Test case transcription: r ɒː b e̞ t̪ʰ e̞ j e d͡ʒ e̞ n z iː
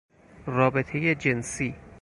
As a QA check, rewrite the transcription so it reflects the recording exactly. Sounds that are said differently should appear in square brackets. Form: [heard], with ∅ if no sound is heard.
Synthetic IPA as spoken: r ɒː b e̞ t̪ʰ e̞ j e d͡ʒ e̞ n [s] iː